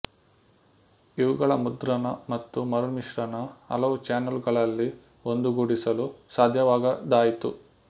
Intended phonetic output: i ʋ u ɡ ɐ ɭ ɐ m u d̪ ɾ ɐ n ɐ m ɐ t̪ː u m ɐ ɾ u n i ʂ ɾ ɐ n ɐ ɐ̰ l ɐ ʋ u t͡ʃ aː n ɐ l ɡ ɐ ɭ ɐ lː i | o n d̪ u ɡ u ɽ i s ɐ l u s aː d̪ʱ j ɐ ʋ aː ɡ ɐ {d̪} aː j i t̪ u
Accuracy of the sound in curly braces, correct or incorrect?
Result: correct